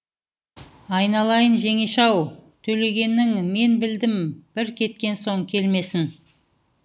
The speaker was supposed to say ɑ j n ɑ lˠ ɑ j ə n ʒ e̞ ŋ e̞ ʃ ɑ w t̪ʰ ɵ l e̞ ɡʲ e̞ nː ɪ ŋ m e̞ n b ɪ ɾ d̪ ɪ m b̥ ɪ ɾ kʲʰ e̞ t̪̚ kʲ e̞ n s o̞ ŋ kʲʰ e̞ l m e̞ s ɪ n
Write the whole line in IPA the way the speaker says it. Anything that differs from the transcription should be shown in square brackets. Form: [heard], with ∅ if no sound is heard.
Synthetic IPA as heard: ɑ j n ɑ lˠ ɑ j ə n ʒ e̞ ŋ e̞ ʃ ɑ w t̪ʰ ɵ l e̞ ɡʲ e̞ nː ɪ ŋ m e̞ n b ɪ [l] d̪ ɪ m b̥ ɪ ɾ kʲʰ e̞ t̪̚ kʲ e̞ n s o̞ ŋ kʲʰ e̞ l m e̞ s ɪ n